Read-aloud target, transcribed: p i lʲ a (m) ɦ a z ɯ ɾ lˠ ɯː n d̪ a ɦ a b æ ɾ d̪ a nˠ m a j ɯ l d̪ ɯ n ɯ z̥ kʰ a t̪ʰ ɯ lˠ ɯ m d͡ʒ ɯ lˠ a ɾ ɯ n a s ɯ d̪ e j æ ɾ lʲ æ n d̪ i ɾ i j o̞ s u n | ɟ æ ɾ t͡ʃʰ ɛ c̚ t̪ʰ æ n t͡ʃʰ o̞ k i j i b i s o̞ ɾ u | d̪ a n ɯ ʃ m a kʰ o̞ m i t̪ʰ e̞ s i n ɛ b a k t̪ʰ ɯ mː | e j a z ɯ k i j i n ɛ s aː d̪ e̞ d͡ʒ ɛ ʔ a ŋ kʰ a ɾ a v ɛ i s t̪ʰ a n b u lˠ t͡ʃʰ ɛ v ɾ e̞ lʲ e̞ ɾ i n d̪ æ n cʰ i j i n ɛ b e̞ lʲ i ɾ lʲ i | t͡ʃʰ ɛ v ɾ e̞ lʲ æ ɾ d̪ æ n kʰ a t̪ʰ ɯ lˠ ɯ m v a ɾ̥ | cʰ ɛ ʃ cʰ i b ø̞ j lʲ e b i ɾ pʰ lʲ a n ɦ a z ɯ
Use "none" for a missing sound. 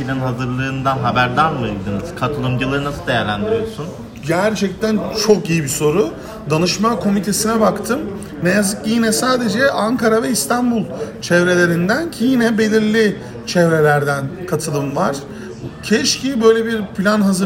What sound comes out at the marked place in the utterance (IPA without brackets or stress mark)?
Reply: n